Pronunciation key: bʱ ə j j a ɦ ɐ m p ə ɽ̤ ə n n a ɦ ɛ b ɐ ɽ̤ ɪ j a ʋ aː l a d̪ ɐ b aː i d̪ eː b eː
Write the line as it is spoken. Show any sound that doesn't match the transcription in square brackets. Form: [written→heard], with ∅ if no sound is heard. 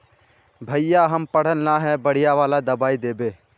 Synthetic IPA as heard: bʱ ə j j a ɦ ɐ m p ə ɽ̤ ə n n a ɦ ɛ b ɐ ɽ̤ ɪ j a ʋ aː l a d̪ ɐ b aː i d̪ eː b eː